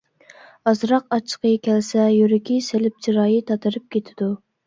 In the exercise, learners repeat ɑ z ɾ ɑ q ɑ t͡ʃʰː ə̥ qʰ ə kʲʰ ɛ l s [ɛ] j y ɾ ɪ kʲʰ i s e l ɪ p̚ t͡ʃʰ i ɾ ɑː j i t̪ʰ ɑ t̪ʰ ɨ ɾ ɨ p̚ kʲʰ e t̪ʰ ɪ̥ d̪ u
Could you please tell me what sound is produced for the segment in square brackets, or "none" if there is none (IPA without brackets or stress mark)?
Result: ɛ